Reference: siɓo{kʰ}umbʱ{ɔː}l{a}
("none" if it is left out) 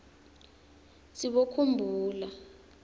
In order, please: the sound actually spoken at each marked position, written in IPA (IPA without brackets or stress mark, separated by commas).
kʰ, uː, a